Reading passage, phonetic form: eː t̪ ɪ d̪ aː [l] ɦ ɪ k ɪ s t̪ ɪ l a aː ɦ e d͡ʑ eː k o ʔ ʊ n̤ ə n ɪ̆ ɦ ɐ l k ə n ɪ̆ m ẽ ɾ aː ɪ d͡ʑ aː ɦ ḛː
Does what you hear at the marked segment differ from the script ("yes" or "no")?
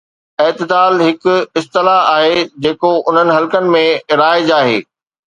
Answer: no